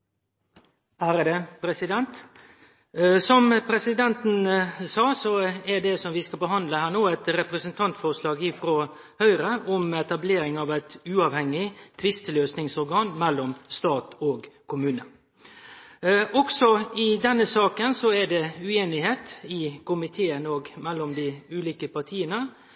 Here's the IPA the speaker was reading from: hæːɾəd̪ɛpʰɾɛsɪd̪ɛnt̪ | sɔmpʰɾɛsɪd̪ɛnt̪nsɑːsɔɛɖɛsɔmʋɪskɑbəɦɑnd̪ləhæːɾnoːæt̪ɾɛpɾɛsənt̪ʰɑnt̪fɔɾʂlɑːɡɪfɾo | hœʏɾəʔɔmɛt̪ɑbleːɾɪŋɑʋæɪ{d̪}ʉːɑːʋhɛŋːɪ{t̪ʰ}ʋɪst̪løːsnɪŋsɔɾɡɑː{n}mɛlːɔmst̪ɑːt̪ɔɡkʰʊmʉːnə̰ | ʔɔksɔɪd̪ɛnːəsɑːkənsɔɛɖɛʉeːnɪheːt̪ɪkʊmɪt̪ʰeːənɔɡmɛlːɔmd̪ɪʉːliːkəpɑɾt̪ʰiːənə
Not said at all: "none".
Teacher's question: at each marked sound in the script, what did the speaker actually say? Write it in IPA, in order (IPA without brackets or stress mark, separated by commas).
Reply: t̪, t̪ʰ, n